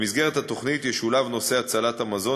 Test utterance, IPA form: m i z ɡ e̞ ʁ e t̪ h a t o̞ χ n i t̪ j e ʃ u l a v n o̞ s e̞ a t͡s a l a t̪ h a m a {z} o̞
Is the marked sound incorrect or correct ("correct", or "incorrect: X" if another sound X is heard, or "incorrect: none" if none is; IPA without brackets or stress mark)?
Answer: correct